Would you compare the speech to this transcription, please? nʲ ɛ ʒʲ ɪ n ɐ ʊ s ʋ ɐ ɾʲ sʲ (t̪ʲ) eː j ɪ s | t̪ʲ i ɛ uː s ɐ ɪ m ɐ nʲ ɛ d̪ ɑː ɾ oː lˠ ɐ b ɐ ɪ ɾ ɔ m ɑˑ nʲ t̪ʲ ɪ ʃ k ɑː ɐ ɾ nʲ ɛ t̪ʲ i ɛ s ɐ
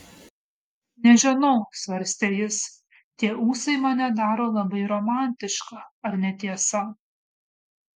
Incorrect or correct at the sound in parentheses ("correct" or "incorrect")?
correct